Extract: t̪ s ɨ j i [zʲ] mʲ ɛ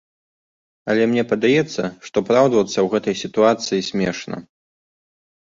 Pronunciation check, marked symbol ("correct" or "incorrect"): incorrect